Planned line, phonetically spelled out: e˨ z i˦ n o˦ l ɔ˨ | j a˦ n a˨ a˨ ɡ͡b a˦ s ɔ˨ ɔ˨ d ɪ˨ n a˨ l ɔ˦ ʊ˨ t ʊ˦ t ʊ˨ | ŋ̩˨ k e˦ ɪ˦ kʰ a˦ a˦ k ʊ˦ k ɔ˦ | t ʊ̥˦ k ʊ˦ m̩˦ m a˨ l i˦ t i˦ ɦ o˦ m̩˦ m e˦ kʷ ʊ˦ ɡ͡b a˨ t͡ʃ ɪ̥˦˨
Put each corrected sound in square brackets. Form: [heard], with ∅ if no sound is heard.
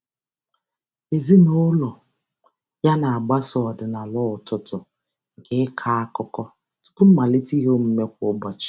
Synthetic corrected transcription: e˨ z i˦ n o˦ l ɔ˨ | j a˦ n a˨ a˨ ɡ͡b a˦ s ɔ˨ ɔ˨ d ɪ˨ n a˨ l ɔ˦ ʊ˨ t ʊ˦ t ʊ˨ | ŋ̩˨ k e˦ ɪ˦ kʰ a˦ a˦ k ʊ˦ k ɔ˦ | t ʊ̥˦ k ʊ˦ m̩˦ m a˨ l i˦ t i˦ ɦ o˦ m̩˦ m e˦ kʷ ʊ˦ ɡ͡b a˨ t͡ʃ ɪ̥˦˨